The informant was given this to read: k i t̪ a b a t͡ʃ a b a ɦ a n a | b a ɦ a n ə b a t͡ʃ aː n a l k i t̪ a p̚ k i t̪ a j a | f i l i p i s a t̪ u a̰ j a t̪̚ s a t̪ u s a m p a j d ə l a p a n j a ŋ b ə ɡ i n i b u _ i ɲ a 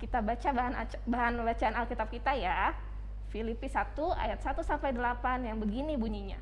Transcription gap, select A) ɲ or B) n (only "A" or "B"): A